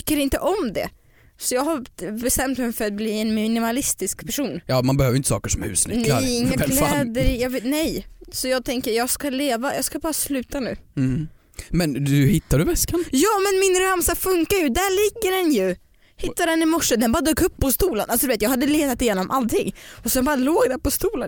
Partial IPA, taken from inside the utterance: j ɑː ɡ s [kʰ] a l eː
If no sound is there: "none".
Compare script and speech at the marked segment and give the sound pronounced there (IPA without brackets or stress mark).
k